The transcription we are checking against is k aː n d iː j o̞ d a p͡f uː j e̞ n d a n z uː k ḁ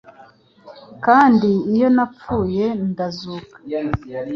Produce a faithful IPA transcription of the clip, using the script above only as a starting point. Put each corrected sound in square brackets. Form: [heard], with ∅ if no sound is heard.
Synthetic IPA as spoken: k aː n d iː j o̞ [n] a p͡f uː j e̞ n d a [∅] z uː k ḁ